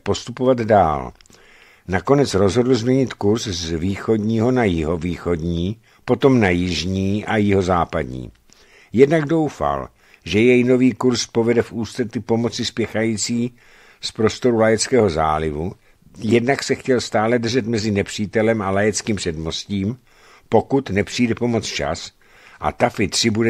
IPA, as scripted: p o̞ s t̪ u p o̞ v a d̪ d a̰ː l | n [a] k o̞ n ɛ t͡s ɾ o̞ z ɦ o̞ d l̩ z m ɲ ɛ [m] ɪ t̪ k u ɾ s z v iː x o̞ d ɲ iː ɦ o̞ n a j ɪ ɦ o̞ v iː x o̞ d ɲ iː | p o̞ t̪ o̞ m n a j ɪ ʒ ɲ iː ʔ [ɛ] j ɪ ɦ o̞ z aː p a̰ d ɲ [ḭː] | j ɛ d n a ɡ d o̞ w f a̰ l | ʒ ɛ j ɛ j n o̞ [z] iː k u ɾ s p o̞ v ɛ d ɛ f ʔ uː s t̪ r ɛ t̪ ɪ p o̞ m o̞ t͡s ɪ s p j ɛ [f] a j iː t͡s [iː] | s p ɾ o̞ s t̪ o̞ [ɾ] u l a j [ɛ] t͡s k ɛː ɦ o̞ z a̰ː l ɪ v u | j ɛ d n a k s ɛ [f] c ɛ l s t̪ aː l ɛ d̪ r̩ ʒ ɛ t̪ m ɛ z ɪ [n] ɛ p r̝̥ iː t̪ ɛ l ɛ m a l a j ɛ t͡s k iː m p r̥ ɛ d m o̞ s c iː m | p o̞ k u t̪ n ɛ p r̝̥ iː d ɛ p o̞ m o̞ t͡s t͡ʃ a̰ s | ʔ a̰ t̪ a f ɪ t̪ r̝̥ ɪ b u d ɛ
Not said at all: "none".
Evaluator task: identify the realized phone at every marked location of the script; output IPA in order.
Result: a, ɲ, a, ḭː, v, x, iː, ɾ, ɛ, x, n

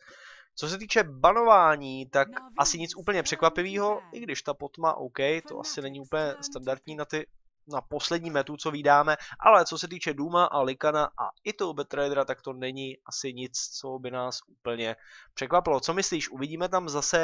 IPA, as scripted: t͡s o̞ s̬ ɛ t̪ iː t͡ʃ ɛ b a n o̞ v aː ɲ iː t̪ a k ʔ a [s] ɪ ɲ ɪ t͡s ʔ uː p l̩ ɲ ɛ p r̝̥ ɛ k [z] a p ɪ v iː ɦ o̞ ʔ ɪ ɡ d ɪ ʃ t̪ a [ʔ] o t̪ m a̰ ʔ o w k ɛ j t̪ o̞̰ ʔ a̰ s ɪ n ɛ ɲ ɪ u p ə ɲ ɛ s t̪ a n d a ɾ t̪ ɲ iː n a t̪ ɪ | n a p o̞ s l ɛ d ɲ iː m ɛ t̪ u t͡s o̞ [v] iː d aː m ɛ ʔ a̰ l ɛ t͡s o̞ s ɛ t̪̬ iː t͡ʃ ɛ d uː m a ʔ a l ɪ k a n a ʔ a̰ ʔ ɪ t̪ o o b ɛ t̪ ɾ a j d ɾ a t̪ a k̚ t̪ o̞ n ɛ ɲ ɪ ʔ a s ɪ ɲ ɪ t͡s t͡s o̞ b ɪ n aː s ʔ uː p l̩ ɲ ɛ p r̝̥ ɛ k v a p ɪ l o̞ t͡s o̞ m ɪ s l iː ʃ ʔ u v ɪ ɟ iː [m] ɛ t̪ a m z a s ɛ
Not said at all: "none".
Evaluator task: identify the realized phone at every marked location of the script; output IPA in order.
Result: s, v, p, v, m

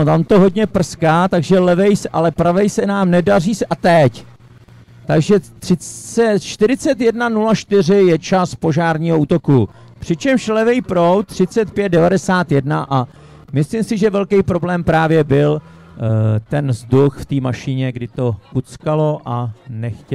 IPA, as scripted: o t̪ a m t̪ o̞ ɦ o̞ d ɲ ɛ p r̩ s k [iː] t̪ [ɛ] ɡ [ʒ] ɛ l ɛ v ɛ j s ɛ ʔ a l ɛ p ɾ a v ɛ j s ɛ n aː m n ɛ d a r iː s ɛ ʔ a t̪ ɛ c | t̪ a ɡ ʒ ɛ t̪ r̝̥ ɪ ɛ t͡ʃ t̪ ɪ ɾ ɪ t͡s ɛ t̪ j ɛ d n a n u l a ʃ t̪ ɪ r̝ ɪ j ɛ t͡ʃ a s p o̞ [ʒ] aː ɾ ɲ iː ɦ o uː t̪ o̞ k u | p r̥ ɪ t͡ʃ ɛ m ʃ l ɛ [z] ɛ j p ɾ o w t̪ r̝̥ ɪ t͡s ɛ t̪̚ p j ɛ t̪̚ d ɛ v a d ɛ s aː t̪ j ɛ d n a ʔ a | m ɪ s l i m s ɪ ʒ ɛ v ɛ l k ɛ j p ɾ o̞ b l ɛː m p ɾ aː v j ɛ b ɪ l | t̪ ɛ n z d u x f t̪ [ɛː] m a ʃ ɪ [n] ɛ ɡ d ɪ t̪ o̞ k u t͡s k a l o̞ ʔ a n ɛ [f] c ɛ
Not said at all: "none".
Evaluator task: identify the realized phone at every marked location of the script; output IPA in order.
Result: aː, a, ʒ, ʒ, v, iː, ɲ, x

